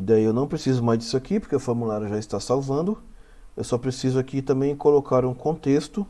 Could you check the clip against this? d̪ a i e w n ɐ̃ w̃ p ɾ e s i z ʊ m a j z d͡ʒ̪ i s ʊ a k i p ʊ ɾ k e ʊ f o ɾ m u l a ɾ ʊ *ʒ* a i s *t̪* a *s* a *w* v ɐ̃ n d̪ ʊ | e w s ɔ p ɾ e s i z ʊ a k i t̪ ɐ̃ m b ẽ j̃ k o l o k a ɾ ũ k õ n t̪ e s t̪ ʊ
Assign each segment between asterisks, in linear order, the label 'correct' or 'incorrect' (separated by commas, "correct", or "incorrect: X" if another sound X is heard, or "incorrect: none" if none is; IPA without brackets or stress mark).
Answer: correct, correct, correct, correct